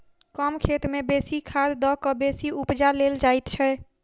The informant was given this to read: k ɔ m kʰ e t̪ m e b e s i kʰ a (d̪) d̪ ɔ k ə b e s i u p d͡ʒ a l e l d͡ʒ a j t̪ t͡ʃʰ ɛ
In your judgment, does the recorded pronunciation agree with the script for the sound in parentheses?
yes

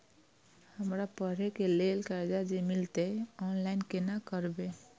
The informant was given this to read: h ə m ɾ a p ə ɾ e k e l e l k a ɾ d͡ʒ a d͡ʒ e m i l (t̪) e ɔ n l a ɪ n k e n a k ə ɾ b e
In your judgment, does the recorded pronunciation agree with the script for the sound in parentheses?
yes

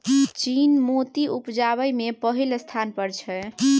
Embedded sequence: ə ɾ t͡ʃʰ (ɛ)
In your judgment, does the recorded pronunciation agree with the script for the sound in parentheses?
yes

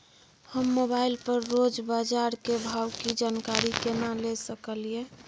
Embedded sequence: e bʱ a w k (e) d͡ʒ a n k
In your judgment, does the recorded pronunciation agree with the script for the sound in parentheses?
no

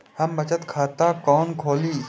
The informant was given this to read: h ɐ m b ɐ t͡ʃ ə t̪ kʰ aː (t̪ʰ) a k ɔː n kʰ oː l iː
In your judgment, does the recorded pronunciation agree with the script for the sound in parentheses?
no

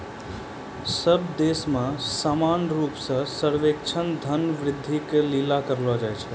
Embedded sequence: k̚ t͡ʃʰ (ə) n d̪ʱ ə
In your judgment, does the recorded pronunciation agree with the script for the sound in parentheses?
yes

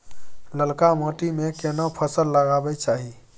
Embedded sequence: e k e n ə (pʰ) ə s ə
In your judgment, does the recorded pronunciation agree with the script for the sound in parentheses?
yes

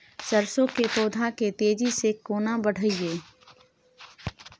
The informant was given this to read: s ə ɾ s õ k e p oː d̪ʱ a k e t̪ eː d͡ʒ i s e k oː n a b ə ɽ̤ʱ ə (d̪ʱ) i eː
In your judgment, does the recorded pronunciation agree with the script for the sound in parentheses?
no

